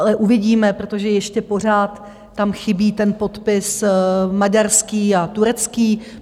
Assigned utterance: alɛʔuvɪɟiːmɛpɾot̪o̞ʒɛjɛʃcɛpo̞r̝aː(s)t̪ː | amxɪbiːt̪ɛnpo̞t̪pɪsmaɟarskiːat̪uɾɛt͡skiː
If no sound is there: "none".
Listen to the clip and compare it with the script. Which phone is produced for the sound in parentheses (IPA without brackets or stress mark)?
none